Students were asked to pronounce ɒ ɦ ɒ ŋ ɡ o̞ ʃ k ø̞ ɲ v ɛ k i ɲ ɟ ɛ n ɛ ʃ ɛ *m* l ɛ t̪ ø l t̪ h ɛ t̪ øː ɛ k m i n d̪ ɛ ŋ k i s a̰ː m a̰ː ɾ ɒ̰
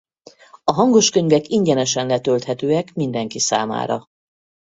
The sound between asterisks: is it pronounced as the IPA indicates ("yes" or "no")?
no